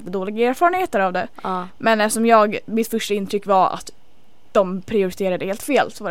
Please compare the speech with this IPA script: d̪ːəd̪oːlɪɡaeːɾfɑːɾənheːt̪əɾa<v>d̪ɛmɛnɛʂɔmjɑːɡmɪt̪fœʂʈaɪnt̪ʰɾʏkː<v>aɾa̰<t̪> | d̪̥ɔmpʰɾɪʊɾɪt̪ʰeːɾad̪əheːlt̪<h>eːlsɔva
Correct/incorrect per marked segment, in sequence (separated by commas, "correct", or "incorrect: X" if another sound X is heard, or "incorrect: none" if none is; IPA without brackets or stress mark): correct, correct, correct, incorrect: f